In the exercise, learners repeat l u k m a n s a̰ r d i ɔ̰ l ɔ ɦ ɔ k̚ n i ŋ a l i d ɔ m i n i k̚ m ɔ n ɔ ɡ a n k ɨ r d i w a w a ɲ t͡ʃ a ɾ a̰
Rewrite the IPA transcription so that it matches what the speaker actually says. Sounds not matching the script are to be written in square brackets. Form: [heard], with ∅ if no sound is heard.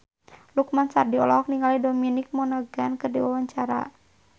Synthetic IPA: l u k m a n s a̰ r d i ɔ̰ l ɔ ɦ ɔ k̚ n i ŋ a l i d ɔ m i n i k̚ m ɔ n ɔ ɡ a n k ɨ r d i w a w a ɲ t͡ʃ a ɾ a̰